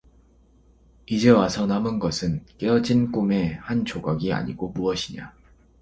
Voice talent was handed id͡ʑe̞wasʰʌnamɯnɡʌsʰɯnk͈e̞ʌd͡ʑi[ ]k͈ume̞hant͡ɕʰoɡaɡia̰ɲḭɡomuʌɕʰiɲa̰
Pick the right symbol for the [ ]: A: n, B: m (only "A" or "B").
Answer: A